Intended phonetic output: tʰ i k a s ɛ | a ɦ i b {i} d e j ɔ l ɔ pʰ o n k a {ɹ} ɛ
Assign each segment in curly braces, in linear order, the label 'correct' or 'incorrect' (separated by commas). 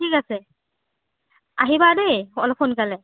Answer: incorrect, incorrect